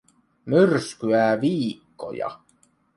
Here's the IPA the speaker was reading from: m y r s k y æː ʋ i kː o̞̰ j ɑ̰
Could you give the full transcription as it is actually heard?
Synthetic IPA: m y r s k y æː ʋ iː kː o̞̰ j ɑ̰